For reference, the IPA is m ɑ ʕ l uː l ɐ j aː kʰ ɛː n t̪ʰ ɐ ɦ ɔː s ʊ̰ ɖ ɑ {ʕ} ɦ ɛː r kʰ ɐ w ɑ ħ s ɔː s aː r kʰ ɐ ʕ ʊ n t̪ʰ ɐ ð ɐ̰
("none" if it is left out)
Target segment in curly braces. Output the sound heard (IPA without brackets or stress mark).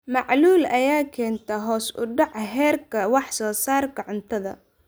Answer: ʕ